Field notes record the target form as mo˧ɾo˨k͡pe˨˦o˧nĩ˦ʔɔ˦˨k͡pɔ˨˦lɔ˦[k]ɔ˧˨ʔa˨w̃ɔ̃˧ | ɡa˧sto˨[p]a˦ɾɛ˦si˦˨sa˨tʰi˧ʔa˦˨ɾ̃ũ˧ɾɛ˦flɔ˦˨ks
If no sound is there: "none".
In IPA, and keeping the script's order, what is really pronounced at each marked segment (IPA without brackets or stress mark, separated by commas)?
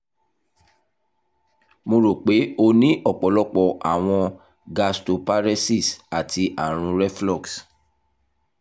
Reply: k͡p, p